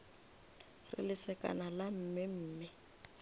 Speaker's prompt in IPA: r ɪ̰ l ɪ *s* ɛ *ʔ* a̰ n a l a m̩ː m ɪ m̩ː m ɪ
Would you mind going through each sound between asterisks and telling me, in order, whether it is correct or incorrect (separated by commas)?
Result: correct, incorrect